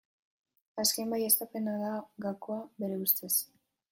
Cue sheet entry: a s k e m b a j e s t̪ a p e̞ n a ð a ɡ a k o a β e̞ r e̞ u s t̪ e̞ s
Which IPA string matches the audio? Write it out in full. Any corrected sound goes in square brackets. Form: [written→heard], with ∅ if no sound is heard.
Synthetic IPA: a s k e m b a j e s t̪ a p e̞ n a ð a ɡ a k o a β e̞ [r→ɾ] e̞ u s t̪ e̞ s